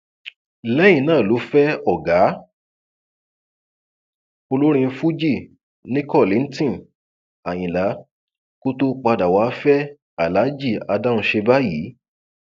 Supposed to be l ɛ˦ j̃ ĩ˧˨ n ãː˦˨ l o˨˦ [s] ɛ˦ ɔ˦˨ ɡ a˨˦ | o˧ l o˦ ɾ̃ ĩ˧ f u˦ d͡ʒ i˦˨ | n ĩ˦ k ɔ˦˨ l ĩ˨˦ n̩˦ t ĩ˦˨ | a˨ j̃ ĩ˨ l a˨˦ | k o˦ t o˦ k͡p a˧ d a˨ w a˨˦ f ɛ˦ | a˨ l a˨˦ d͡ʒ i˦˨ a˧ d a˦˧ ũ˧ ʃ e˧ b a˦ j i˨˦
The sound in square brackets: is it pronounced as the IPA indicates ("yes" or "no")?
no